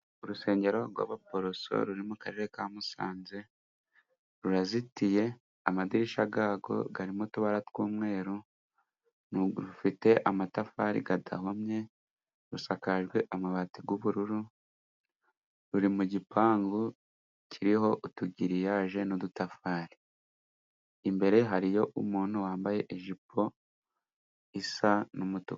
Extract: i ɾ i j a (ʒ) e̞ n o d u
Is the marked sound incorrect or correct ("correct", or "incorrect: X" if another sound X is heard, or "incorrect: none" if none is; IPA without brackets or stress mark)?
correct